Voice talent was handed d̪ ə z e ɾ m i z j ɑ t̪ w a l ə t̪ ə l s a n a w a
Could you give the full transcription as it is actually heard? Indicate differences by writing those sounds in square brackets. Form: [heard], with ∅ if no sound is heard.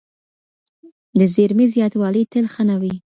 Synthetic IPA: d̪ ə z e ɾ m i z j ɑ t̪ w [ɑ] l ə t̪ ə l [x] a n a w [i]